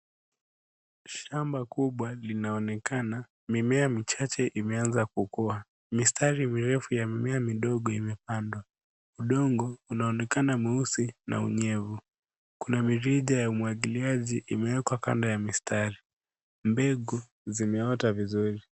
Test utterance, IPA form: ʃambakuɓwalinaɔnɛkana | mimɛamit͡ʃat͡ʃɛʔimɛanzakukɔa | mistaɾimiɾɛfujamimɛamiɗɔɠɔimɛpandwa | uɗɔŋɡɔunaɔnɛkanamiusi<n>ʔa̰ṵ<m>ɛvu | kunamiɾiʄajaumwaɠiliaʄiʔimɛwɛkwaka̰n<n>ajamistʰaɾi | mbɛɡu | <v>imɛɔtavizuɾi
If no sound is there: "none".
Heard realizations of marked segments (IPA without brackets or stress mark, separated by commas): n, ɲ, d, z